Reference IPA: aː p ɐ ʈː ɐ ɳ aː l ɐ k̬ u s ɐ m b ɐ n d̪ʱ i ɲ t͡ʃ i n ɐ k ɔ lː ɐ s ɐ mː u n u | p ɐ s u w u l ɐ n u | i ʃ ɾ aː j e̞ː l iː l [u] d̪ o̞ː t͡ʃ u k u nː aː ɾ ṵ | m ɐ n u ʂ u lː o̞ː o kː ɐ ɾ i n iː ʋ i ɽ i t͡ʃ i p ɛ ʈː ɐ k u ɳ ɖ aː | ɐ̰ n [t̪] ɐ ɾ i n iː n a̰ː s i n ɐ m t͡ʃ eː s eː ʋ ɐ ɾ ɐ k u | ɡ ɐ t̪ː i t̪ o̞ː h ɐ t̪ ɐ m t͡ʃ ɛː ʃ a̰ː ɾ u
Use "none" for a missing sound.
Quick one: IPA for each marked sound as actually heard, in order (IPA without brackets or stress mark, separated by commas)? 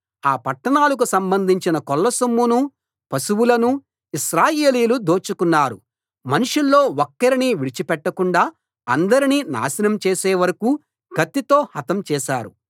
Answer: u, d̪